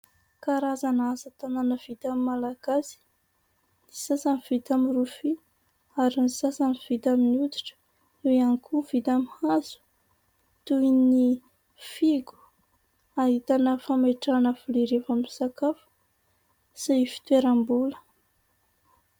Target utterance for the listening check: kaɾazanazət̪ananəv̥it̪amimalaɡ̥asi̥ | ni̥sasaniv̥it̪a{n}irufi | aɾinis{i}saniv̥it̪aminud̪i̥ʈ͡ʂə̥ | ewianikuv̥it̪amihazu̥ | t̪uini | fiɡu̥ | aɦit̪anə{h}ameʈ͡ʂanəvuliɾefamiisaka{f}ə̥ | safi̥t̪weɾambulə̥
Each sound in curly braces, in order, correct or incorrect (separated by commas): incorrect, incorrect, incorrect, correct